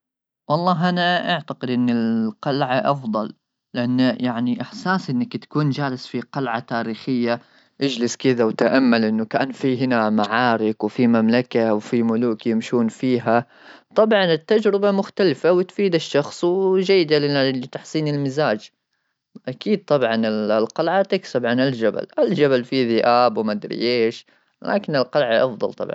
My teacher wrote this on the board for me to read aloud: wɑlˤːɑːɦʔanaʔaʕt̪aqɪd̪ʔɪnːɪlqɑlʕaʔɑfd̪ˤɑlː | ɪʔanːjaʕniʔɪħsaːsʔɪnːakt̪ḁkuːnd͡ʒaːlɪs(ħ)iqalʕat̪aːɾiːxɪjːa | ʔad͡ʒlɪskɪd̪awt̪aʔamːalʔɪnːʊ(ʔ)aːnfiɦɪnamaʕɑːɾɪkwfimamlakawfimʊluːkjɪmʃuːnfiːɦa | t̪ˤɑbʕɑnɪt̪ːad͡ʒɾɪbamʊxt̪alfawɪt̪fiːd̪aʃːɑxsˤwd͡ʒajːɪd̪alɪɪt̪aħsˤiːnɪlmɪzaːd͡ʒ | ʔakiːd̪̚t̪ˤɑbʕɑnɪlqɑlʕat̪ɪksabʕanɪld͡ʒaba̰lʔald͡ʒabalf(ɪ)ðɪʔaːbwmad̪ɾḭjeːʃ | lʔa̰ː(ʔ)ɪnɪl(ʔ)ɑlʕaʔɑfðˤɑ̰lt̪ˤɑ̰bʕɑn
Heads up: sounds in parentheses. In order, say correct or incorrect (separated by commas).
incorrect, incorrect, incorrect, incorrect, incorrect